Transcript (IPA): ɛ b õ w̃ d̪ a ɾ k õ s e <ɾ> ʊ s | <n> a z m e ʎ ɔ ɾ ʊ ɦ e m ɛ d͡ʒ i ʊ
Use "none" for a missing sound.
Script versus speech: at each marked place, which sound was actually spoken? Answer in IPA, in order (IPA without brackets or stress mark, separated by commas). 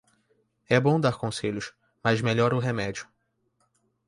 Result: ʎ, m